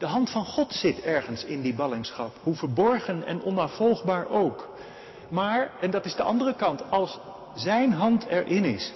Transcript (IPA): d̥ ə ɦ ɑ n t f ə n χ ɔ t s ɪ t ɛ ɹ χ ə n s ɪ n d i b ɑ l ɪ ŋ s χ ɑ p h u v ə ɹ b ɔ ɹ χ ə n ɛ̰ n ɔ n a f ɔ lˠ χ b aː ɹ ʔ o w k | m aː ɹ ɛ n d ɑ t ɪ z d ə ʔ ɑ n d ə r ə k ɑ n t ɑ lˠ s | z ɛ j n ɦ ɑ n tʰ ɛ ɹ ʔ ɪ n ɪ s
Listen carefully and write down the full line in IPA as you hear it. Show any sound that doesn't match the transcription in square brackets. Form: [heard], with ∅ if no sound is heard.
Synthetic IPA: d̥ ə ɦ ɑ n t f [ɑ] n χ ɔ t s ɪ t ɛ ɹ χ ə n s ɪ n d i b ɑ l ɪ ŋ s χ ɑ p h u v ə ɹ b ɔ ɹ χ ə n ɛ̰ n ɔ n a f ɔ lˠ χ b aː ɹ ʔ o w k | m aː ɹ ɛ n d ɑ t ɪ z d ə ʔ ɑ n d ə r ə k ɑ n t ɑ lˠ s | z ɛ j n ɦ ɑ n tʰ ɛ ɹ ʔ ɪ n ɪ s